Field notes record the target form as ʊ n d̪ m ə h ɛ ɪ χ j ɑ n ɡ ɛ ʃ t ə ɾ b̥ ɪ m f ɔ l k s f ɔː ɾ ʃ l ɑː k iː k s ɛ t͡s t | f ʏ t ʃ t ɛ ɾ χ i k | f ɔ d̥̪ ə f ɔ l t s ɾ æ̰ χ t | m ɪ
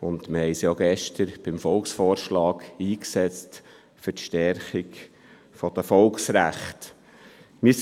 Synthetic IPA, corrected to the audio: ʊ n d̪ m ə h ɛ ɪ s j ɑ ɡ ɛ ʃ t ə ɾ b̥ ɪ m f ɔ l k s f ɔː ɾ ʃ l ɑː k iː k s ɛ t͡s t | f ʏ t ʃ t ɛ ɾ χ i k | f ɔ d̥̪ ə f ɔ l k s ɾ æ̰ χ t | m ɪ